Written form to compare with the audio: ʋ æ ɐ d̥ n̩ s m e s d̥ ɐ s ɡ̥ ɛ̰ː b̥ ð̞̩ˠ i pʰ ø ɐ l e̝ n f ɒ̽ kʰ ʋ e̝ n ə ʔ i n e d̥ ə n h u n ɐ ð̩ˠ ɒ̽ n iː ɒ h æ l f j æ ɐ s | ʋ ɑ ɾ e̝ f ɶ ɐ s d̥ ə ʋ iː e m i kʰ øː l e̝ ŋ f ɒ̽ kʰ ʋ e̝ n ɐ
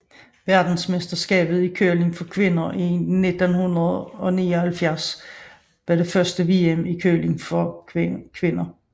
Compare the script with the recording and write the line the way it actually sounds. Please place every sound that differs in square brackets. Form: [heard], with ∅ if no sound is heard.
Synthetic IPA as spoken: ʋ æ ɐ d̥ n̩ s m e s d̥ ɐ s ɡ̥ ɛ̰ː b̥ ð̞̩ˠ i [kʰ] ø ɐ l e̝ [ŋ] f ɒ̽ kʰ ʋ e̝ n [ɐ] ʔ i n e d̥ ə n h u n ɐ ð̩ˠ ɒ̽ n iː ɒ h æ l f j æ ɐ s | ʋ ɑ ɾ e̝ f ɶ ɐ s d̥ ə ʋ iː e m i kʰ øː l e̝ ŋ f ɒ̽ kʰ ʋ e̝ n ɐ